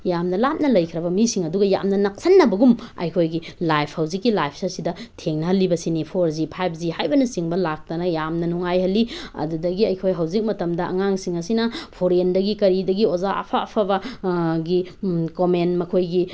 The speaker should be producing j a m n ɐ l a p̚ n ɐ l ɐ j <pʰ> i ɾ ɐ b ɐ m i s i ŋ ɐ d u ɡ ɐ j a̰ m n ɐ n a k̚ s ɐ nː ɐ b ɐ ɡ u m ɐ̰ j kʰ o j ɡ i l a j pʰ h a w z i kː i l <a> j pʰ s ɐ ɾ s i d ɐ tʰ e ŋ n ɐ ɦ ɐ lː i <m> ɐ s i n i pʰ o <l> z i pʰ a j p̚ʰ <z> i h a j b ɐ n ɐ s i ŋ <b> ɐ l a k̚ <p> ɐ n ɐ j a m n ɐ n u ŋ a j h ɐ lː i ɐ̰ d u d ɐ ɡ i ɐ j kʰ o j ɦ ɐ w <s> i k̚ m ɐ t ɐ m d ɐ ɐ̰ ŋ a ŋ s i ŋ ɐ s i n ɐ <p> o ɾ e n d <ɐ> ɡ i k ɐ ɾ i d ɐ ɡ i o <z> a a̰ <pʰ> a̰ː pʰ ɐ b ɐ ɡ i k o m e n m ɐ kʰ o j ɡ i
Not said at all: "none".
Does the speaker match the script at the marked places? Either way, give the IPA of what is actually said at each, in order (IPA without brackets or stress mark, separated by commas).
kʰ, a, b, ɾ, z, b, t, z, pʰ, ɐ, z, pʰ